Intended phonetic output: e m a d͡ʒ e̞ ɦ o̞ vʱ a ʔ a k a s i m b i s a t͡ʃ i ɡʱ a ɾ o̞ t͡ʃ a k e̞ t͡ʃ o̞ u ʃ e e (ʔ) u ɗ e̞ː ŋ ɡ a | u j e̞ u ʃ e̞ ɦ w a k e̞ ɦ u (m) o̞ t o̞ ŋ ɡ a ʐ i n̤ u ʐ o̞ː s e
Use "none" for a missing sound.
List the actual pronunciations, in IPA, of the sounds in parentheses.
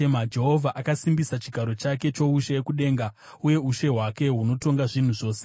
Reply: k, n

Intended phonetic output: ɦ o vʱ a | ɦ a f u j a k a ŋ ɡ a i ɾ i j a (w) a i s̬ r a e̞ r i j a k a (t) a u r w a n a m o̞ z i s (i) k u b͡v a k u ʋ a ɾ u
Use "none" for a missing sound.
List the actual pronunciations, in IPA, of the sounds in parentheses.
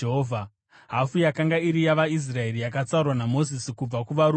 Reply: ʋ, t͡s, i

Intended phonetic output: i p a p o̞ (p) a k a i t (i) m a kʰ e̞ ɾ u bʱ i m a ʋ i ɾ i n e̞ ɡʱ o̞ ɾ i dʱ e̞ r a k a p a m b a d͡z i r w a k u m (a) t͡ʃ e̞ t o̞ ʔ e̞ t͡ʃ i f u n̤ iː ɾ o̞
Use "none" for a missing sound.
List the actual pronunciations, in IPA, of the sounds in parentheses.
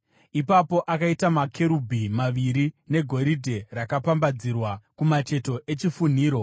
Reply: ʔ, a, a

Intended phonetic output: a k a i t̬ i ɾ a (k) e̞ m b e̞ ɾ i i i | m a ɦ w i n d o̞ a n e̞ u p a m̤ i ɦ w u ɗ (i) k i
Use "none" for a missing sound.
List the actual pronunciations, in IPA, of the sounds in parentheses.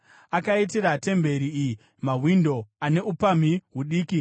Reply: t, iː

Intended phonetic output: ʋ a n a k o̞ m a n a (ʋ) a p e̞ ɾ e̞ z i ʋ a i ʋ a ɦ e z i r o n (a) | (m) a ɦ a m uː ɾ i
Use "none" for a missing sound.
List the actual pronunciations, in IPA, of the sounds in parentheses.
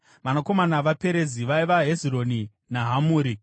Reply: ʋ, i, n

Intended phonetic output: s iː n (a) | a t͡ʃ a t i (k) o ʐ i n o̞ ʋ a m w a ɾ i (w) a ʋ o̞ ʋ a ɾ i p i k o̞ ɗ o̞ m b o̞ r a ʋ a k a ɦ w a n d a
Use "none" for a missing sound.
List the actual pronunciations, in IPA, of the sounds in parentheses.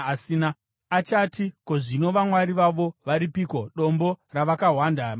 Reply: a, k, ʋ

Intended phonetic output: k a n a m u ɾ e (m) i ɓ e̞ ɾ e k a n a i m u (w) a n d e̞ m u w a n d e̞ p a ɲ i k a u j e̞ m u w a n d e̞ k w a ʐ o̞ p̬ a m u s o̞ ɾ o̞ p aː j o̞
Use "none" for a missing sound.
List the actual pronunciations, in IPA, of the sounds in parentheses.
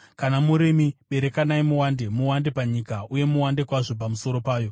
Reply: m, w

